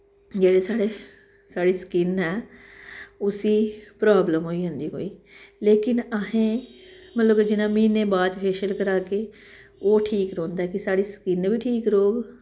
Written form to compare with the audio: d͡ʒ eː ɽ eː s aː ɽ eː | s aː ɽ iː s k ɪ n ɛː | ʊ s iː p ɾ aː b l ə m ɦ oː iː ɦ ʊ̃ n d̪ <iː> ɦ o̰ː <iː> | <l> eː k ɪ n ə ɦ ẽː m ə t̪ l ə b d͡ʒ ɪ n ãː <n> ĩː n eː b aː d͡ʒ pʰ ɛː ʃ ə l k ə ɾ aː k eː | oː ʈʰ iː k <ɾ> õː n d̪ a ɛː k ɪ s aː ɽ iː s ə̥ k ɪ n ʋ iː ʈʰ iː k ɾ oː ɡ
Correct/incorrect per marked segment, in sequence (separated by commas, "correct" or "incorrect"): correct, correct, correct, incorrect, correct